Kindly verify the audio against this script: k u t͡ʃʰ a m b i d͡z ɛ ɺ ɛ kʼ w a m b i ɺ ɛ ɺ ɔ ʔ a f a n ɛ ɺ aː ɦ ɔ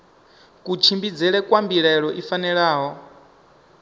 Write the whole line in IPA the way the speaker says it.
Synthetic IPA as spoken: k u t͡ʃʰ i m b i d͡z ɛ ɺ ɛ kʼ w a m b i ɺ ɛ ɺ ɔ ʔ i f a n ɛ ɺ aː ɦ ɔ